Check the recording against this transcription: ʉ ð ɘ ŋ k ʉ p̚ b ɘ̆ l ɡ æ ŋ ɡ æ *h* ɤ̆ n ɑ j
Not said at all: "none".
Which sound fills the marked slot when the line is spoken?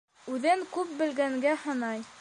h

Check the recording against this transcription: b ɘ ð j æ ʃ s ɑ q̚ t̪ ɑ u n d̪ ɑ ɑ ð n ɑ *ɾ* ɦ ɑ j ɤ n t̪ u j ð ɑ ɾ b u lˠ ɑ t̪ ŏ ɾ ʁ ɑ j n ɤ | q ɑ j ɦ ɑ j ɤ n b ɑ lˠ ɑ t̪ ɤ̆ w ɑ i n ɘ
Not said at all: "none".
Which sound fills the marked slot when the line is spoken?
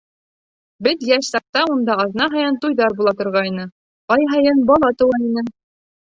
none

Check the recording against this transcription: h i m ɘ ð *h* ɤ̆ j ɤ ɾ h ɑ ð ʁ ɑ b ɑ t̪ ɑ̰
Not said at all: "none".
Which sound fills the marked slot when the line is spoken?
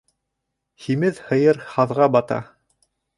h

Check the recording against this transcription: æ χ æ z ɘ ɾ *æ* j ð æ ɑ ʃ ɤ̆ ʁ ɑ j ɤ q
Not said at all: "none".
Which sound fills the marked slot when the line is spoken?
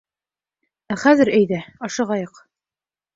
æ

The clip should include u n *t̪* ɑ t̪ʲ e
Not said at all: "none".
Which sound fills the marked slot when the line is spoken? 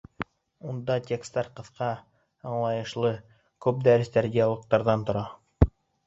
d̪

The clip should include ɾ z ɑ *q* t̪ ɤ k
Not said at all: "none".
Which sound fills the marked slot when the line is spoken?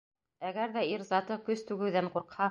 none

